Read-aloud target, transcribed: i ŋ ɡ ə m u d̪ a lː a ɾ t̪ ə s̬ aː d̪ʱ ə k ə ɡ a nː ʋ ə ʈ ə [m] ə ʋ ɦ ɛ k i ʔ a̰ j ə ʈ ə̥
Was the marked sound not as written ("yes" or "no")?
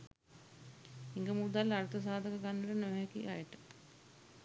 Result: yes